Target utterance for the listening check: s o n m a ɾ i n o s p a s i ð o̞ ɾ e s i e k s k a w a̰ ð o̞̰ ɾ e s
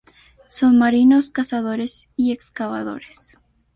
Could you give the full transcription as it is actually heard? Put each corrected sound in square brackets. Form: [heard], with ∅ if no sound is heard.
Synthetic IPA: s o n m a ɾ i n o s [k] a s [a] ð o̞ ɾ e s i e k s k a [β] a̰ ð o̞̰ ɾ e s